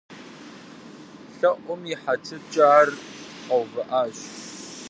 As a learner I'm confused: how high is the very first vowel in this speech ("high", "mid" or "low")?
low